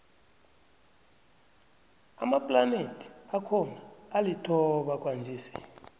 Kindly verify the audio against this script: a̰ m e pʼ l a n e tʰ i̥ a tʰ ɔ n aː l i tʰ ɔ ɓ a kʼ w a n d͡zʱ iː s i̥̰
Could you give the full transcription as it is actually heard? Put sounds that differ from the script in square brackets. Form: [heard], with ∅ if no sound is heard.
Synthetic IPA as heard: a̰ m [a] pʼ l a n e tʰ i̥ a [kʰ] ɔ n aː l i tʰ ɔ ɓ a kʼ w a n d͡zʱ iː s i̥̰